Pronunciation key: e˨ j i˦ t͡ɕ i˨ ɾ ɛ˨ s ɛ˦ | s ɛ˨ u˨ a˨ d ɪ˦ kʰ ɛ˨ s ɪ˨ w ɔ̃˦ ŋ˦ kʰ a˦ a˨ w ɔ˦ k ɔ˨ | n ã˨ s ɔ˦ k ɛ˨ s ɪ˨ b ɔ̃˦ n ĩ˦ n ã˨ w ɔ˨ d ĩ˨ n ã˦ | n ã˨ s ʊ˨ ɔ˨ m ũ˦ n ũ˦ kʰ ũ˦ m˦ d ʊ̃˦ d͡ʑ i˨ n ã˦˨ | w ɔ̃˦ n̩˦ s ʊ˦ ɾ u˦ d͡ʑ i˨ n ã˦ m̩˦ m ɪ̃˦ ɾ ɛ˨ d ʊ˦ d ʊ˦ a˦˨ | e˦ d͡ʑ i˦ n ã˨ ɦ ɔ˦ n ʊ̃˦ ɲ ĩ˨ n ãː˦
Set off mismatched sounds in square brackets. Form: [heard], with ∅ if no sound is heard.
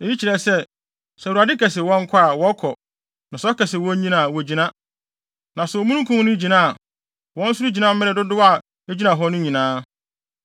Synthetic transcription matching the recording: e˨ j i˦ t͡ɕ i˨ ɾ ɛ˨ s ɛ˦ | s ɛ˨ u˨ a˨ d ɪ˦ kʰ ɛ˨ s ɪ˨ w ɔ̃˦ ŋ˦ kʰ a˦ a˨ w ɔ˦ [kʰ] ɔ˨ | n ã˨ s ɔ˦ k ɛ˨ s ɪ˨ [w] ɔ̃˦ [ɲ] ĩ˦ n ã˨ w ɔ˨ [d͡ʑ] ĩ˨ n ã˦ | n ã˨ s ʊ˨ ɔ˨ m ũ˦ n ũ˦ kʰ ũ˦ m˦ [n] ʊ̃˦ d͡ʑ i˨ n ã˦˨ | w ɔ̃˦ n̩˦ s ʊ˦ ɾ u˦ d͡ʑ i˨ n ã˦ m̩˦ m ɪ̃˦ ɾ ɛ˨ d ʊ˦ d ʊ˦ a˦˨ | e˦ d͡ʑ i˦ n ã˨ ɦ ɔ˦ n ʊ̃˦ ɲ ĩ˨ n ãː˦